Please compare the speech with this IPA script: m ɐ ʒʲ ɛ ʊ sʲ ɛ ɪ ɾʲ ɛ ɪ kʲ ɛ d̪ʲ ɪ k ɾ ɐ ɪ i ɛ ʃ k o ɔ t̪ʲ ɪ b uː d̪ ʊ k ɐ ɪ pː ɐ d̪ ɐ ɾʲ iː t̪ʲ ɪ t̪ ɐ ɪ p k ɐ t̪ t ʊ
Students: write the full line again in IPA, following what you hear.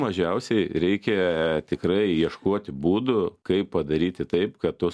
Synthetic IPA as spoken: m ɐ ʒʲ ɛ ʊ sʲ ɛ ɪ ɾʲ ɛ ɪ kʲ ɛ t̪ʲ ɪ k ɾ ɐ ɪ i ɛ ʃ k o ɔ t̪ʲ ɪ b uː d̪ ʊ k ɐ ɪ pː ɐ d̪ ɐ ɾʲ iː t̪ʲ ɪ t̪ ɐ ɪ p k ɐ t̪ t ʊ